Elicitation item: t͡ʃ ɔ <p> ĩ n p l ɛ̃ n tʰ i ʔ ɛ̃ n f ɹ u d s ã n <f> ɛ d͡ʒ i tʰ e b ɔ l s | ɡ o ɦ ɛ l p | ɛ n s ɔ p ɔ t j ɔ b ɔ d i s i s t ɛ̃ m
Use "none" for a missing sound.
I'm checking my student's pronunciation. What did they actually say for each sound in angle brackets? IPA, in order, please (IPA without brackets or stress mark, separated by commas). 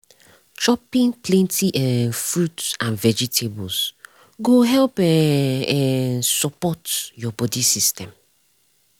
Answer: p, v